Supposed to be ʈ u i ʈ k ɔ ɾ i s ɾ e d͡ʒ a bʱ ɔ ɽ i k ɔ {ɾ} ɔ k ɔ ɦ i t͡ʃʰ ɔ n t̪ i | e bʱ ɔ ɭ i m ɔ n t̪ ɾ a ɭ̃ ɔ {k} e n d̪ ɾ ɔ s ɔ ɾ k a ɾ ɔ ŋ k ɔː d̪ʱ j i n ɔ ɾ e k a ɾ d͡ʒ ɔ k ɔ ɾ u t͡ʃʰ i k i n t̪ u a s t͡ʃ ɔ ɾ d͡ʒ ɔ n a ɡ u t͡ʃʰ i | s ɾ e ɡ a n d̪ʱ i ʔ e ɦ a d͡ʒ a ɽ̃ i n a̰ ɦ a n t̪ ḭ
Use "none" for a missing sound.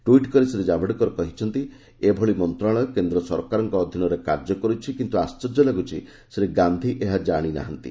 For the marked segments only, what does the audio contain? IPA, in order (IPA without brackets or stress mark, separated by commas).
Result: ɾ, k